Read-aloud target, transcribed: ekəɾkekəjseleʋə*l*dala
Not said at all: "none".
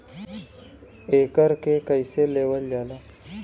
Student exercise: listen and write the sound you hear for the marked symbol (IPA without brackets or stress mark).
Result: l